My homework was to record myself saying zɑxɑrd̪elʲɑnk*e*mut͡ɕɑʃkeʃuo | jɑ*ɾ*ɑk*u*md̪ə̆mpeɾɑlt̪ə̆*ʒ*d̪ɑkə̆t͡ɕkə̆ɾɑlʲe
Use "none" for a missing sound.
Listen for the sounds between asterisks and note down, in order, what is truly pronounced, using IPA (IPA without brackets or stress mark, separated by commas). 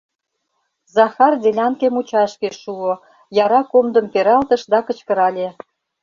e, ɾ, o, ʃ